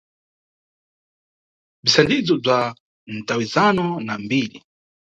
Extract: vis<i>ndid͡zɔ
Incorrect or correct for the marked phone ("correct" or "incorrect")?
incorrect